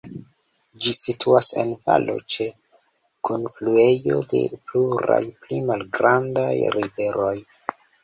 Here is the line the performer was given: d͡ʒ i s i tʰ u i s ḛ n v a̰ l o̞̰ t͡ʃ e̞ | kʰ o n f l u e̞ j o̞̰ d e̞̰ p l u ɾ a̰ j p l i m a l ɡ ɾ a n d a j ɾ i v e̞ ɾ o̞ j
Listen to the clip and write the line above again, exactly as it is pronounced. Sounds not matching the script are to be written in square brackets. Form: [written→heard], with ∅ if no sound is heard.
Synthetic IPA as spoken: d͡ʒ i s i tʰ u [i→a] s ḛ n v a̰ l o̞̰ t͡ʃ e̞ | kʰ o n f l u e̞ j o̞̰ d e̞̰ p l u ɾ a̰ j p l i m a l ɡ ɾ a n d a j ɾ i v e̞ ɾ o̞ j